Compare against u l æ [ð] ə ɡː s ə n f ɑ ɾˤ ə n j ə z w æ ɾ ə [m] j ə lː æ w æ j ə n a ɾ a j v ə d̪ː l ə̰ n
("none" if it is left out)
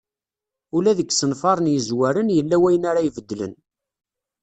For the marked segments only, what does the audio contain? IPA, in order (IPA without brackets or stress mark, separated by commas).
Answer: ð, n